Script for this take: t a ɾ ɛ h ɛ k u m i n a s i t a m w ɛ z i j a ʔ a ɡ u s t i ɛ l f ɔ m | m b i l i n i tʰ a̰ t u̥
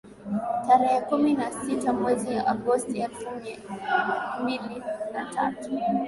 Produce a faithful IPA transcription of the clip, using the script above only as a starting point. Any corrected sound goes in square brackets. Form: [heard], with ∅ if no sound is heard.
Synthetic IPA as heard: t a ɾ ɛ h ɛ k u m i n a s i t a m w ɛ z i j a ʔ a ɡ [ɔ] s t i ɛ l f [u] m | m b i l i n [a] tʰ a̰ t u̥